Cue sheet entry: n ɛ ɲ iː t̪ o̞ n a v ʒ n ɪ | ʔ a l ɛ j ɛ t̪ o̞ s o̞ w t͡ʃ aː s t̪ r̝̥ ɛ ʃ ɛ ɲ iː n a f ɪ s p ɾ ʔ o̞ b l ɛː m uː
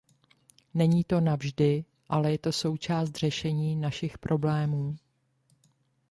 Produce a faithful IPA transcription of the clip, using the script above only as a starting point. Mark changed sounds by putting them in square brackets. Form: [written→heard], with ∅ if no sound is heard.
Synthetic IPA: n ɛ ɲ iː t̪ o̞ n a v ʒ [n→d] ɪ | ʔ a l ɛ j ɛ t̪ o̞ s o̞ w t͡ʃ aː s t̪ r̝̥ ɛ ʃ ɛ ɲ iː n a [f→ʃ] ɪ [s→x] p ɾ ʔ o̞ b l ɛː m uː